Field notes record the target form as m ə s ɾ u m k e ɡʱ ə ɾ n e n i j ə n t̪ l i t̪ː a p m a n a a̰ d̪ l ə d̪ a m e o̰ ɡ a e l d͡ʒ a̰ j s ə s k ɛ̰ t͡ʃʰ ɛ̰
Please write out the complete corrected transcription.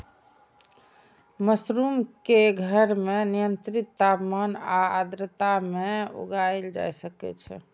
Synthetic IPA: m ə s ɾ u m k e ɡʱ ə ɾ m e n i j ə n t̪ ɾ i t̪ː a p m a n a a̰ d̪ ɾ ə t̪ a m e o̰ ɡ a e l d͡ʒ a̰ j s ə k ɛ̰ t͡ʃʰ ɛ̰

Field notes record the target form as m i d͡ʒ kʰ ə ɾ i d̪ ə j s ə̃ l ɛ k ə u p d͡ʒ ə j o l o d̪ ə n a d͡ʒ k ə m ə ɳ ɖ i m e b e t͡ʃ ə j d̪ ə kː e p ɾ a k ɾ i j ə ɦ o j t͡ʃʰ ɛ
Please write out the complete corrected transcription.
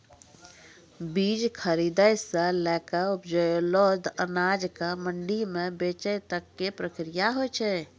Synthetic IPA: b i d͡ʒ kʰ ə ɾ i d̪ ə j s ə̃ l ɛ k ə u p d͡ʒ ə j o l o d̪ ə n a d͡ʒ k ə m ə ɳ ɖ i m e b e t͡ʃ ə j t̪ ə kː e p ɾ ə k ɾ i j a ɦ o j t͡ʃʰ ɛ

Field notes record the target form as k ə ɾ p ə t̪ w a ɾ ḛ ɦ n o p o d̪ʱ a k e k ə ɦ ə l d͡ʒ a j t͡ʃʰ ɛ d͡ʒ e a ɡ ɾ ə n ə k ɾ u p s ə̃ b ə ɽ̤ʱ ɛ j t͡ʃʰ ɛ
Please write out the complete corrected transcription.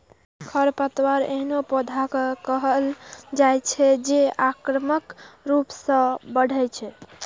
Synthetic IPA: kʰ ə ɾ p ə t̪ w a ɾ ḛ ɦ n o p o d̪ʱ a k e k ə ɦ ə l d͡ʒ a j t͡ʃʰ ɛ d͡ʒ e a k ɾ ə m ə k ɾ u p s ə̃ b ə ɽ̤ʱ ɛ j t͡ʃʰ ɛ

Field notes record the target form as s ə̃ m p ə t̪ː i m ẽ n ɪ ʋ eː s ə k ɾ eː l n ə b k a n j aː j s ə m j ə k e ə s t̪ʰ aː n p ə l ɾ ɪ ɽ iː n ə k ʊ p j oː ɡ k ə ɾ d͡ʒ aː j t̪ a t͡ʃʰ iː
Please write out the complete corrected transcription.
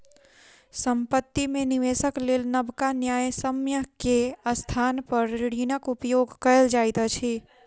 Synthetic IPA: s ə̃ m p ə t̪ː i m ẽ n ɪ ʋ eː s ə k l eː l n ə b k a n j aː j s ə m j ə k e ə s t̪ʰ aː n p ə ɾ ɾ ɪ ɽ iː n ə k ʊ p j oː ɡ k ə l d͡ʒ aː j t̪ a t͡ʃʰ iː

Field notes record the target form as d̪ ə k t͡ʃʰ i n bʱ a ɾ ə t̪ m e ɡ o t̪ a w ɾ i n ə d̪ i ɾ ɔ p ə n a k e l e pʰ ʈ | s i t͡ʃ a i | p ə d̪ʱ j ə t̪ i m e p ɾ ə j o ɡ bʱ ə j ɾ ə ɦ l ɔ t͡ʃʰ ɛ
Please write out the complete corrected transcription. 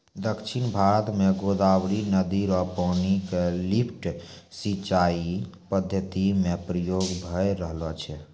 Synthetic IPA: d̪ ə k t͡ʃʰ i n bʱ a ɾ ə t̪ m e ɡ o d̪ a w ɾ i n ə d̪ i ɾ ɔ p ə n i k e l i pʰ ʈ | s i t͡ʃ a i | p ə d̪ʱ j ə t̪ i m e p ɾ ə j o ɡ bʱ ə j ɾ ə ɦ l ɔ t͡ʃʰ ɛ

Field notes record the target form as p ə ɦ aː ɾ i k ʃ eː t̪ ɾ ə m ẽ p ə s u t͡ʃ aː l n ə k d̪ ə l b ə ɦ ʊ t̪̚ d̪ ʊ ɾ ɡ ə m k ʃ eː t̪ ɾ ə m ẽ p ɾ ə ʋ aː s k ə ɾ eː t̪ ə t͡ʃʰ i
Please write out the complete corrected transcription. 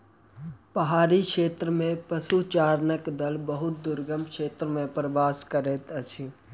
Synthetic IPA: p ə ɦ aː ɾ i k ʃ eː t̪ ɾ ə m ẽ p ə s u t͡ʃ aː ɾ n ə k d̪ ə l b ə ɦ ʊ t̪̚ d̪ ʊ ɾ ɡ ə m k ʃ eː t̪ ɾ ə m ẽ p ɾ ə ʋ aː s k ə ɾ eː t̪ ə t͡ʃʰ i

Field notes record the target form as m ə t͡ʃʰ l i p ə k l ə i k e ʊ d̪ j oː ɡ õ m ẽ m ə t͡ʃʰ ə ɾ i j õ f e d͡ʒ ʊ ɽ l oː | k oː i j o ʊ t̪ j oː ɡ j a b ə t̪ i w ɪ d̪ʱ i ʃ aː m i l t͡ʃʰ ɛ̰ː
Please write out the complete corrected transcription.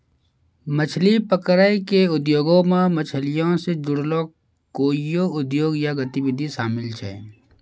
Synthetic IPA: m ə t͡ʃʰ l i p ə k ɾ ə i k e ʊ d̪ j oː ɡ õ m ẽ m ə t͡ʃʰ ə l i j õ s e d͡ʒ ʊ ɽ l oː | k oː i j o ʊ d̪ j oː ɡ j a ɡ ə t̪ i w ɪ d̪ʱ i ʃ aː m ɪ l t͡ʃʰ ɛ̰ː

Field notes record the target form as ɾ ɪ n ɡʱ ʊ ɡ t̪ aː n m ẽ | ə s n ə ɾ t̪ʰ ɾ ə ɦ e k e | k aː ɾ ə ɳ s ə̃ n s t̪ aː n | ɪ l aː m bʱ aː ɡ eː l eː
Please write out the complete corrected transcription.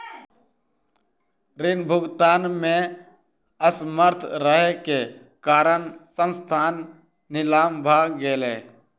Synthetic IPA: ɾ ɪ n bʱ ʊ ɡ t̪ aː n m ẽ | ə s m ə ɾ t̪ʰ ɾ ə ɦ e k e | k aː ɾ ə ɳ s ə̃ n s t̪ʰ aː nː | ɪ l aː m bʱ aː ɡ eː l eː

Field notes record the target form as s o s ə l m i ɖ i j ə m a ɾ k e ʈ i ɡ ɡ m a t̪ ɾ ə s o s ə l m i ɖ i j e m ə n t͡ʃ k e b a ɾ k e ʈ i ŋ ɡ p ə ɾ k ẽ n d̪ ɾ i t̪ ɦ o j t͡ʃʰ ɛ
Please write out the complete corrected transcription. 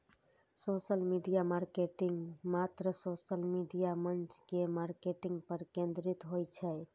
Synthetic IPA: s o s ə l m i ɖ i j a m a ɾ k e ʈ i ŋ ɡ m a t̪ ɾ ə s o s ə l m i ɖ i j a m ə n t͡ʃ k e m a ɾ k e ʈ i ŋ ɡ p ə ɾ k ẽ n d̪ ɾ i t̪ ɦ o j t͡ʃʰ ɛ

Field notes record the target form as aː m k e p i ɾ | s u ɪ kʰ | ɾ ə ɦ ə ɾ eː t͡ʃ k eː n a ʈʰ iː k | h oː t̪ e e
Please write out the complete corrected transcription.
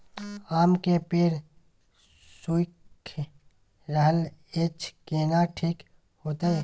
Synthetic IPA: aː m k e p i ɾ | s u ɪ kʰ | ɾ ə ɦ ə l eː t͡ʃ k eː n a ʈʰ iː k | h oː t̪ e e

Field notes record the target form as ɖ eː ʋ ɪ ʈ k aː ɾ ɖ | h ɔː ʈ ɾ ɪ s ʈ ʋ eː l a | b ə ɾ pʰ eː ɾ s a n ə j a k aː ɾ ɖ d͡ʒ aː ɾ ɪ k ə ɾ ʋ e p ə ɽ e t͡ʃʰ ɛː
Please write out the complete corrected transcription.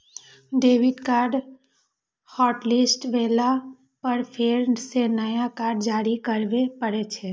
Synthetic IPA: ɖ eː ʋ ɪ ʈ k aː ɾ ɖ | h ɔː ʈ l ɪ s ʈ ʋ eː l a | p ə ɾ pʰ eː ɾ s e n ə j a k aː ɾ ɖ d͡ʒ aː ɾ i k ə ɾ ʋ e p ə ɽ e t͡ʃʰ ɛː

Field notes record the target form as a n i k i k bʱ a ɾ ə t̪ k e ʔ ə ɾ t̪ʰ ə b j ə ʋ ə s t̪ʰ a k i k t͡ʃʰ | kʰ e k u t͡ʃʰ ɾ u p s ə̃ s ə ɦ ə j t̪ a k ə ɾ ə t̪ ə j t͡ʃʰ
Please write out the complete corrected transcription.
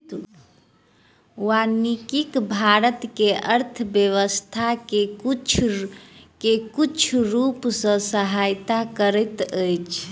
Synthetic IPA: a n i k i k bʱ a ɾ ə t̪ k e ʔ ə ɾ t̪ʰ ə b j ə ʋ ə s t̪ʰ a k e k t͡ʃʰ | k e k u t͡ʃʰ ɾ u p s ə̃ s ə ɦ a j t̪ a k ə ɾ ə t̪ ə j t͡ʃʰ

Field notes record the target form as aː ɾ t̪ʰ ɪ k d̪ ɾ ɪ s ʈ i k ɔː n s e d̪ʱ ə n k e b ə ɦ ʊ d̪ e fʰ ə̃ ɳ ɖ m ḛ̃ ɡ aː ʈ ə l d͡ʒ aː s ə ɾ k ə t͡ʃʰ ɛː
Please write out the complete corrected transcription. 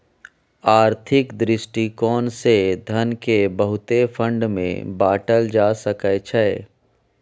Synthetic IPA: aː ɾ t̪ʰ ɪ k d̪ ɾ ɪ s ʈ i k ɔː n s e d̪ʱ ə n k e b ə ɦ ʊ t̪ e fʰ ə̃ ɳ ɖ m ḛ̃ b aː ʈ ə l d͡ʒ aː s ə k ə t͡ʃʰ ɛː

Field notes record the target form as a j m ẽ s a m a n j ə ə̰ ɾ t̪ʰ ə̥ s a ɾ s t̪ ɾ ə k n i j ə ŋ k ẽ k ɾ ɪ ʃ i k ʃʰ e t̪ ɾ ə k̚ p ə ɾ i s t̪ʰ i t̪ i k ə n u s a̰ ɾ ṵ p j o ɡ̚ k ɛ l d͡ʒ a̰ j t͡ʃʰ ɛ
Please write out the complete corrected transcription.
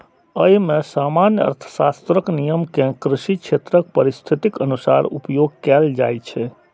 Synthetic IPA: ə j m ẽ s a m a n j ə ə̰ ɾ t̪ʰ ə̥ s a s t̪ ɾ ə k n i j ə m k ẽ k ɾ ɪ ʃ i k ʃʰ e t̪ ɾ ə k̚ p ə ɾ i s t̪ʰ i t̪ i k ə n u s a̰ ɾ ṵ p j o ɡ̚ k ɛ l d͡ʒ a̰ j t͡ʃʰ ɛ

